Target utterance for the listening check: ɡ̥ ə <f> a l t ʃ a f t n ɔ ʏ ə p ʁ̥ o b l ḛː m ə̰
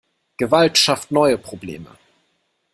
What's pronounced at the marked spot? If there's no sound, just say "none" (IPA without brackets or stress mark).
v